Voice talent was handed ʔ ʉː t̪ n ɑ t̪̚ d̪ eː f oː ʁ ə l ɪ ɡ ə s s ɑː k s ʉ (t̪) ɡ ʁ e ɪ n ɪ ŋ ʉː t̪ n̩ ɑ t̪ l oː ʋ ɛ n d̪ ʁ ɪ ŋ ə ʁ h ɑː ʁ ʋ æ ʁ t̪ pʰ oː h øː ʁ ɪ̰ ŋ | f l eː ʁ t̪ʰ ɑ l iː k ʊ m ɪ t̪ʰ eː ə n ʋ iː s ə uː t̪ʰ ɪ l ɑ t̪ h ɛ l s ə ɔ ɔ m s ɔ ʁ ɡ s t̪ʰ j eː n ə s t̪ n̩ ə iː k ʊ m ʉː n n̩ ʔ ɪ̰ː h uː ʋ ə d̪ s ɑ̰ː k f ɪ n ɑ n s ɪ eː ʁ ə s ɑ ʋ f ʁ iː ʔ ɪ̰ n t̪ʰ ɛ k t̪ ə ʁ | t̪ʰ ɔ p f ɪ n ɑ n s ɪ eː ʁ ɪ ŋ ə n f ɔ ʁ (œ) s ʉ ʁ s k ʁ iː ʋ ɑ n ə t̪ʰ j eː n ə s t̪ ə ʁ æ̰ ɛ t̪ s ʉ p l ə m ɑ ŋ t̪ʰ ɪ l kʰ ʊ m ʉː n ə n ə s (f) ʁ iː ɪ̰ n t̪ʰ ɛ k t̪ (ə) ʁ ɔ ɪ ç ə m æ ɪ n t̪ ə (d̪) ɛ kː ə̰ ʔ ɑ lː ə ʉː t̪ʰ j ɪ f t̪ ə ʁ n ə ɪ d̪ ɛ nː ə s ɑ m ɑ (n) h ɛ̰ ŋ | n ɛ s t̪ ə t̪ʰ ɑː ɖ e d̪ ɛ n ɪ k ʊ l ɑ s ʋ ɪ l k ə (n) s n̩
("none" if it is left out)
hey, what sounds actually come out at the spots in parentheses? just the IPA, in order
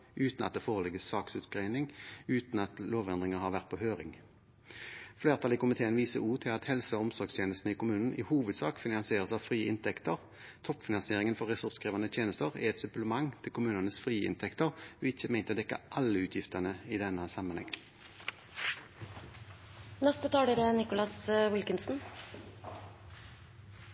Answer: t̪, ɛ, f, ə, d̪, n, n

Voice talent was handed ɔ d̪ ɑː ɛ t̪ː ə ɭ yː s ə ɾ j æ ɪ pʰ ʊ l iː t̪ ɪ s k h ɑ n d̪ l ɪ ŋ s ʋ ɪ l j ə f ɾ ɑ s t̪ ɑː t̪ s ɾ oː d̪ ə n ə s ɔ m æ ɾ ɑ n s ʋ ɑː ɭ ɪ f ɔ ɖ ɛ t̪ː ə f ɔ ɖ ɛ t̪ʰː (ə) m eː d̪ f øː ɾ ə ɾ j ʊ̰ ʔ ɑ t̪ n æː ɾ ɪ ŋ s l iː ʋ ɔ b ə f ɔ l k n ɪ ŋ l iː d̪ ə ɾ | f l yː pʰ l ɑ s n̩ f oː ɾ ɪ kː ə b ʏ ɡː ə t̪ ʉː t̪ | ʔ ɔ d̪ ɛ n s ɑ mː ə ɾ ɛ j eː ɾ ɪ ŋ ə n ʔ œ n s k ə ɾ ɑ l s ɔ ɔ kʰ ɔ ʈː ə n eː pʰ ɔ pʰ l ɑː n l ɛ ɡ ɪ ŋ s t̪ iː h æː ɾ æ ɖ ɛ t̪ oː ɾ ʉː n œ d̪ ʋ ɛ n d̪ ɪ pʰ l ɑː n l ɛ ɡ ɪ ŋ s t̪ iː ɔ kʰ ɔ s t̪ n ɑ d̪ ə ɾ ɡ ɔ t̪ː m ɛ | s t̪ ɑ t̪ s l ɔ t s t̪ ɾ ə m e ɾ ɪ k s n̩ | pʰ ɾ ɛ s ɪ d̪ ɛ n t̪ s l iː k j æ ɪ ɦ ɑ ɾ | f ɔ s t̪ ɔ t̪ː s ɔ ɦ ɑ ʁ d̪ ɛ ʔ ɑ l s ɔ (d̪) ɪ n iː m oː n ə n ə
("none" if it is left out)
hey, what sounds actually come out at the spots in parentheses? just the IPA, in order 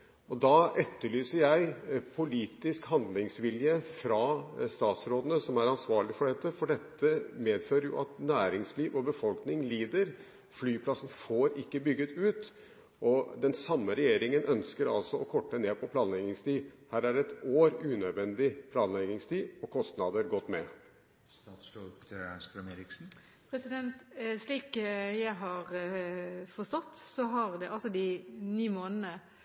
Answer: ə, d̪

